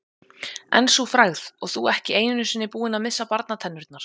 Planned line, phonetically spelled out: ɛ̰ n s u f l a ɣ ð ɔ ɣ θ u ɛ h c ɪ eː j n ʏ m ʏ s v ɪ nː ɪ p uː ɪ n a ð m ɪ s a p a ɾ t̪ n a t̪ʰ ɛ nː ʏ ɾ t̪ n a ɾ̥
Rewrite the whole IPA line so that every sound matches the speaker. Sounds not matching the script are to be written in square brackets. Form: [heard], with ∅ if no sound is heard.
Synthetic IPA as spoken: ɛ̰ n s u f [ɾ] a ɣ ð ɔ ɣ θ u ɛ h c ɪ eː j n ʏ [n] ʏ s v ɪ nː ɪ p uː ɪ n a ð m ɪ [sː] a p a ɾ t̪ n a t̪ʰ ɛ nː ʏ ɾ t̪ n a ɾ̥